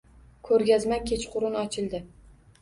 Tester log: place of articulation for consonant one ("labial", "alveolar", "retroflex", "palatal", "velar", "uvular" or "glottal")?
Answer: velar